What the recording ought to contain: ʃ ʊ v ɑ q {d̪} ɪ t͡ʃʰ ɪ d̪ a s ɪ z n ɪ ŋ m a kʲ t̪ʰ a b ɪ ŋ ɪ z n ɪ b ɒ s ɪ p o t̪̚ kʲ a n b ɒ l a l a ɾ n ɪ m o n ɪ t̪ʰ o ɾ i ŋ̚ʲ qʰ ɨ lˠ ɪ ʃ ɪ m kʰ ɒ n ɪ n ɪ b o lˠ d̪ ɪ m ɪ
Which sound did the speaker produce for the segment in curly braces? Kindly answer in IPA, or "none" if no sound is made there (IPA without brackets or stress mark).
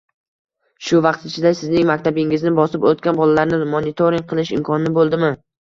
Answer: t̪